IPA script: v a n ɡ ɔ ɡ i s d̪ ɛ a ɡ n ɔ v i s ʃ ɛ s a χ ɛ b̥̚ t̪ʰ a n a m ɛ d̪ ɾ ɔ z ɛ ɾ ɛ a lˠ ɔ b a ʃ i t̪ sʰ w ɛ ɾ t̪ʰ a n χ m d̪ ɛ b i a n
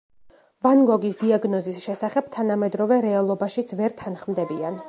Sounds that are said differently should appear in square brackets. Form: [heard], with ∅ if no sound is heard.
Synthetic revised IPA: v a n ɡ ɔ ɡ i s d̪ [i] a ɡ n ɔ [z] i s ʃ ɛ s a χ ɛ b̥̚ t̪ʰ a n a m ɛ d̪ ɾ ɔ [v] ɛ ɾ ɛ a lˠ ɔ b a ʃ i t̪ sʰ [v] ɛ ɾ t̪ʰ a n χ m d̪ ɛ b i a n